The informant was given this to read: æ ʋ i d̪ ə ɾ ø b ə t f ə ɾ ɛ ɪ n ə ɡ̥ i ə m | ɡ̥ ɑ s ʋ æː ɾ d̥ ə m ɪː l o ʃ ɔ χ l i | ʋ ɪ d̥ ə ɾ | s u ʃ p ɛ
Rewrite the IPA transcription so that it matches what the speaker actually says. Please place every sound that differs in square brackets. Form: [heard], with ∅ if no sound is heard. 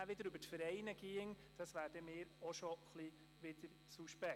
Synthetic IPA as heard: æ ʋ [ɪ] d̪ ə ɾ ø b ə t f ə ɾ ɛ ɪ n ə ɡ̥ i ə [ŋ] | [d̥] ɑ s ʋ æː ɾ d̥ ə m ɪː [ɾ] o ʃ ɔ χ l i | ʋ ɪ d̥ ə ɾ | s u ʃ p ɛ